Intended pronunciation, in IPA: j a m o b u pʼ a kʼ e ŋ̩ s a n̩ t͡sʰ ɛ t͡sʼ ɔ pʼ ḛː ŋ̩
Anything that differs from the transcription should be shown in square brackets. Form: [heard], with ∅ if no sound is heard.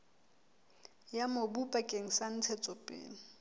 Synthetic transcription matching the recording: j a m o b u pʼ a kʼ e ŋ̩ s a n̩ t͡sʰ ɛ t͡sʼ ɔ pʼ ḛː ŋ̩